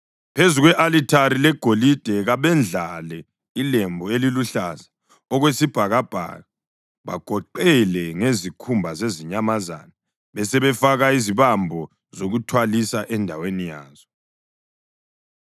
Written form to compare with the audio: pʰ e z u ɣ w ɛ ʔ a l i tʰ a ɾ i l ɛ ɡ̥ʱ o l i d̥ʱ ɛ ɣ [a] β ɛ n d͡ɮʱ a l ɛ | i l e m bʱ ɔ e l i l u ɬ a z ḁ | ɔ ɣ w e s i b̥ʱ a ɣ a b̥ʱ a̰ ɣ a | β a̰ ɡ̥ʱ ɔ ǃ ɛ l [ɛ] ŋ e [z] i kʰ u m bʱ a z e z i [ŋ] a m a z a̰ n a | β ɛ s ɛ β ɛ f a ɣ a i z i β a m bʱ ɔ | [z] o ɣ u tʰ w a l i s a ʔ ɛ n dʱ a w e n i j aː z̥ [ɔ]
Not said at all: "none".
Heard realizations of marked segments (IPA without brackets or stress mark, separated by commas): a, ɛ, z, ɲ, z, ɔ